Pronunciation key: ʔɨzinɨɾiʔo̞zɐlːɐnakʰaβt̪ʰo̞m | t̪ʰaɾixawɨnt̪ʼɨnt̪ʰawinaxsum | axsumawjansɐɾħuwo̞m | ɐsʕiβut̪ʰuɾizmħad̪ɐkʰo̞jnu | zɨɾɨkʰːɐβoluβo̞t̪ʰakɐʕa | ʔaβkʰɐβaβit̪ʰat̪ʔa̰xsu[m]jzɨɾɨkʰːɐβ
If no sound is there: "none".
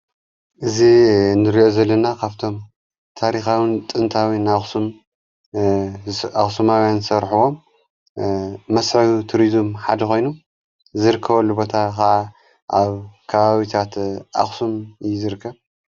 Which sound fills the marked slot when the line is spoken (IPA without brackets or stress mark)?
m